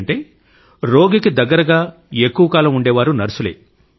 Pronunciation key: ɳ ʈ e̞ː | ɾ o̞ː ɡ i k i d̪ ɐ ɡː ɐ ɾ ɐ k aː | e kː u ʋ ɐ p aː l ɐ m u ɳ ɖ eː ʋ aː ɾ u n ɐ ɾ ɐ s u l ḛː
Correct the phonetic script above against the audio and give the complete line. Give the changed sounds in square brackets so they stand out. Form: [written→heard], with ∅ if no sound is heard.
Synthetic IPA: ɳ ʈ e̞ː | ɾ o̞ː ɡ i k i d̪ ɐ ɡː ɐ ɾ ɐ [k→ɡ] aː | e kː u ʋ ɐ [p→k] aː l ɐ m u ɳ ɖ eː ʋ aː ɾ u n ɐ ɾ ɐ s u l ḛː